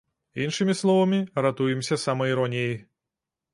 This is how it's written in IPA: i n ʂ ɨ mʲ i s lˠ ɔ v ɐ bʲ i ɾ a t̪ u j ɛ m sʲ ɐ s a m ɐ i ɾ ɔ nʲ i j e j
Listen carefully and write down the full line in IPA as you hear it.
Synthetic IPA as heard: i n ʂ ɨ mʲ i s lˠ ɔ v ɐ mʲ i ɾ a t̪ u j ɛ m sʲ ɐ s a m ɐ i ɾ ɔ nʲ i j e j